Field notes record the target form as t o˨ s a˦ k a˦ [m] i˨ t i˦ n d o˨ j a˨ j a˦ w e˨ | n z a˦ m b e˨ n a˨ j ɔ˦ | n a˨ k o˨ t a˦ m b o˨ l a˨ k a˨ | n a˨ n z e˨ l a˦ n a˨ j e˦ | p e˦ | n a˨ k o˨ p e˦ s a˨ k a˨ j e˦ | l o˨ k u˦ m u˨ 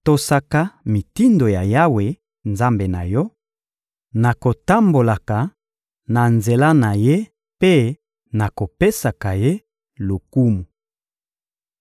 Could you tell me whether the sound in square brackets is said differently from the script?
no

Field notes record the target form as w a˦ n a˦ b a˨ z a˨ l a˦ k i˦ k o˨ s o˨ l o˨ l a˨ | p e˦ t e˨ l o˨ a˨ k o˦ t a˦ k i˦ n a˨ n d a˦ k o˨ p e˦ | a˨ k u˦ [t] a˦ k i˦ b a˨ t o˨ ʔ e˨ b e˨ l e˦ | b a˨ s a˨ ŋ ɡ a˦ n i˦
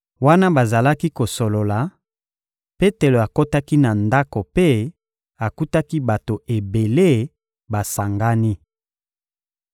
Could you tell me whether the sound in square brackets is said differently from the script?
no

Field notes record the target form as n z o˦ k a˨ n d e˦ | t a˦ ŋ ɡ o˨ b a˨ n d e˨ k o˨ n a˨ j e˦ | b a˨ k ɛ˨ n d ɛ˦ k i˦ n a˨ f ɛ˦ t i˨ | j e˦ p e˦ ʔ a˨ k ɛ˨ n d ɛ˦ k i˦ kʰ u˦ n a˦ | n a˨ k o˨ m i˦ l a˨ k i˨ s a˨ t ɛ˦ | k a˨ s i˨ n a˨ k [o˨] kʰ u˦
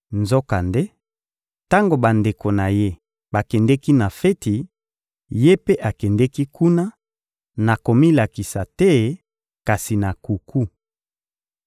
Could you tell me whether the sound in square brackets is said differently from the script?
yes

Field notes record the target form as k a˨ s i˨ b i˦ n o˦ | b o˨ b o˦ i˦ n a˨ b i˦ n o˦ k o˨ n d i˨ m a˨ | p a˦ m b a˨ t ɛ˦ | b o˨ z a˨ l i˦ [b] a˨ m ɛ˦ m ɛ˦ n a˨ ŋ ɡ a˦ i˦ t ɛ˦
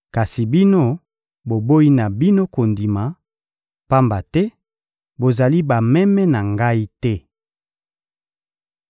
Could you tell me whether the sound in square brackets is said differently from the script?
no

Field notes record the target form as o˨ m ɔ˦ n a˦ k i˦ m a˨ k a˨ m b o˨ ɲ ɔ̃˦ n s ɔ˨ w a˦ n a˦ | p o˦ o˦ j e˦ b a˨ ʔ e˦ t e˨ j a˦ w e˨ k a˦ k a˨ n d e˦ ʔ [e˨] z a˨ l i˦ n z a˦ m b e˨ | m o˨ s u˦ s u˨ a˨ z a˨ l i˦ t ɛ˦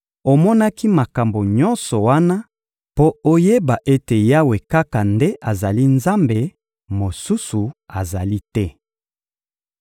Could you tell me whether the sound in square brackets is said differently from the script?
yes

